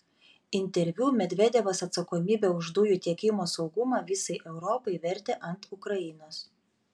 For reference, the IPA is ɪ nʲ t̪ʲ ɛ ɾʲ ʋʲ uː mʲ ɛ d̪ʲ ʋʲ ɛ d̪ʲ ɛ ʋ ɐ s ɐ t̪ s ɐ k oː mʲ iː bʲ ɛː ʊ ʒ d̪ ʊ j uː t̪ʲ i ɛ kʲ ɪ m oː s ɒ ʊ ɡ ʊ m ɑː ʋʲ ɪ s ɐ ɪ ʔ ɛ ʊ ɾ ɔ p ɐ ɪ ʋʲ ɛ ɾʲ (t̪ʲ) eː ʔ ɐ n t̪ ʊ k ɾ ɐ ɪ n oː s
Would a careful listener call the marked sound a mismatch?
no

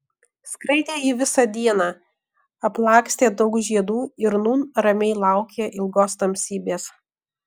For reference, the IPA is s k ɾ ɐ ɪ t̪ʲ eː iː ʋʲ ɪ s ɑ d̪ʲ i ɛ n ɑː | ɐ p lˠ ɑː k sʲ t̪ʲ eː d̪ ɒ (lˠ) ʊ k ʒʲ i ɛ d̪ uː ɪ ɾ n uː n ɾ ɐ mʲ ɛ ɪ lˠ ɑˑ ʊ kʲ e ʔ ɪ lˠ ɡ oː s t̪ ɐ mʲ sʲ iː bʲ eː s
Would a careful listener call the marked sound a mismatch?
yes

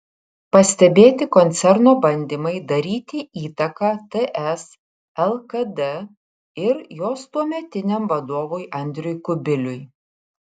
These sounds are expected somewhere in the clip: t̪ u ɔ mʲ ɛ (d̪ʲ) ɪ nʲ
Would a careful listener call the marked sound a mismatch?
yes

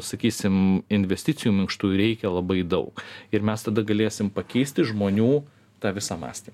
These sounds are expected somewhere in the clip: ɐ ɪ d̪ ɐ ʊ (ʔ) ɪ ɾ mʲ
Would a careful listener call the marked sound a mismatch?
yes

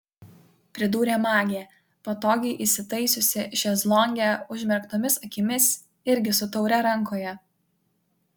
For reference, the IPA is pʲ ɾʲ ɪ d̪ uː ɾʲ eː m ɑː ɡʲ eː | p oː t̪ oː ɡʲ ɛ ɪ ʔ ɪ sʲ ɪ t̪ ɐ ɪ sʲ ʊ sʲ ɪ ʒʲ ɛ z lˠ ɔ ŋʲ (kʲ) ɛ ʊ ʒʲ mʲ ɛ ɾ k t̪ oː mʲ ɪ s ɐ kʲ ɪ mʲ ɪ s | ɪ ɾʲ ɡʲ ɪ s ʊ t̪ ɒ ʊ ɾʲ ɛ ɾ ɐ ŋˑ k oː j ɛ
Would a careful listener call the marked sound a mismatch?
yes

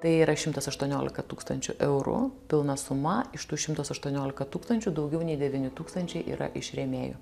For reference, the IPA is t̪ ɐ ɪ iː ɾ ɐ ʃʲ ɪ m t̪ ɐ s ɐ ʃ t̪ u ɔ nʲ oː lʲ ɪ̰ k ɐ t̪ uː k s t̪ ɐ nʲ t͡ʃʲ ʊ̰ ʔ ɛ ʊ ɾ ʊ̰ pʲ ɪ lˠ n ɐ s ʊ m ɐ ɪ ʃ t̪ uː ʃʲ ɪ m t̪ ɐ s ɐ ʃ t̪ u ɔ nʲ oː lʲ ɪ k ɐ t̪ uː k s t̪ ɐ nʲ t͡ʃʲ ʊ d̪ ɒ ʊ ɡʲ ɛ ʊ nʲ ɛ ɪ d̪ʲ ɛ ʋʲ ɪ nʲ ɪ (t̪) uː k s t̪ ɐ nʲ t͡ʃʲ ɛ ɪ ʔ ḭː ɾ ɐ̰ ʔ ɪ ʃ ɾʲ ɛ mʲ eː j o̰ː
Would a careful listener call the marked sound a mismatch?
no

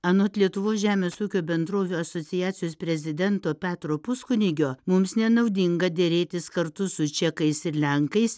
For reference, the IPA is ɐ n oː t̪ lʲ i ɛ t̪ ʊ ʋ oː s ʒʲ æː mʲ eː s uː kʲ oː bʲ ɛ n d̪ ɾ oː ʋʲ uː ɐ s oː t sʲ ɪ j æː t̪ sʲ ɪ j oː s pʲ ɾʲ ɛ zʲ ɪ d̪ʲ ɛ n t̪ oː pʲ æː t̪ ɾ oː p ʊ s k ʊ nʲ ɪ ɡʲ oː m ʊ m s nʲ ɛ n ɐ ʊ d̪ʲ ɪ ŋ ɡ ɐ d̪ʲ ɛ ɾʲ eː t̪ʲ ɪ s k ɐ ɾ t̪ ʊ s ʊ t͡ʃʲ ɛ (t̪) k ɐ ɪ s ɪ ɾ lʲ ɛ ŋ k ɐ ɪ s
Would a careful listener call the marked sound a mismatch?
yes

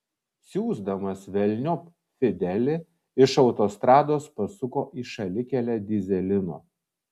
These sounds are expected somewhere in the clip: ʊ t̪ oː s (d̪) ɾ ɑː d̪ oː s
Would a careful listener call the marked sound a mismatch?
yes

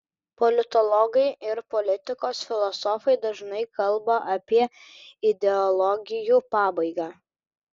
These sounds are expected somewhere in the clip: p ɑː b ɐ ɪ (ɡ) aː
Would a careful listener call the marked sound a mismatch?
no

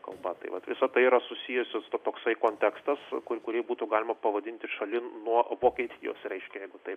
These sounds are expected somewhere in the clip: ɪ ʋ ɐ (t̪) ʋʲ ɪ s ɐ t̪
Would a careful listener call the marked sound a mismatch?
no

